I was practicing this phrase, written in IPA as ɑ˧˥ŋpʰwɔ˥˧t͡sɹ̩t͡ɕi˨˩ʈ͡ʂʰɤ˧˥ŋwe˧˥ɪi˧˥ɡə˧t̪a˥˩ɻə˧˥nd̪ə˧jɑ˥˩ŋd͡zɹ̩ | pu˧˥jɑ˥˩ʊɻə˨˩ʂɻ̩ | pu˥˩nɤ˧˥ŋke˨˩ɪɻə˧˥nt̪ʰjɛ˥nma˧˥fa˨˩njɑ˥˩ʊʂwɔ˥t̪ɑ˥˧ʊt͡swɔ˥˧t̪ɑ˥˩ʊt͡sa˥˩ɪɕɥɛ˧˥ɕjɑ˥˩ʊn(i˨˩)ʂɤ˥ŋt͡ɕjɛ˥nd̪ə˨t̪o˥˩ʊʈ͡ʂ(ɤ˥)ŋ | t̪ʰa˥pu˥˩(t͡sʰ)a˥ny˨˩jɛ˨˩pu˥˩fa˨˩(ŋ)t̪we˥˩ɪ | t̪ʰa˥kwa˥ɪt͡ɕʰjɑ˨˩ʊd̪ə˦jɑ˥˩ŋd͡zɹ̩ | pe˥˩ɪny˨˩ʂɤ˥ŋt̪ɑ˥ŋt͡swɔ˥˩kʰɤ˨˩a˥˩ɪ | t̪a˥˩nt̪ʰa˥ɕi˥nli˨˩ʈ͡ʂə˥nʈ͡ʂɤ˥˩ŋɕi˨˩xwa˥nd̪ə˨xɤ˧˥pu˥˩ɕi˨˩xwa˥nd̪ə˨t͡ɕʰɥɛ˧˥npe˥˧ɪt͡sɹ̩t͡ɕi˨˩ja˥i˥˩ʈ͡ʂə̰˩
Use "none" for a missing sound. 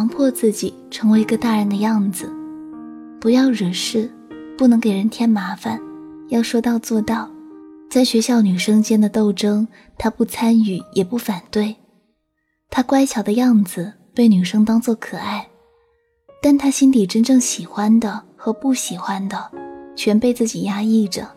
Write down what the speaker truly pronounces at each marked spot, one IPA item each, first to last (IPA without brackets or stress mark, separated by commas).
y˨˩, ɤ˥, t͡sʰ, n